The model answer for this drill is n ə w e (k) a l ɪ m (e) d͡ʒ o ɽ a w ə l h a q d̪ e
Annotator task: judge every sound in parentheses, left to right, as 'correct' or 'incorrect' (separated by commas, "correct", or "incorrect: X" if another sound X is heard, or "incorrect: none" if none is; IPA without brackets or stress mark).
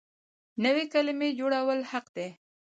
correct, correct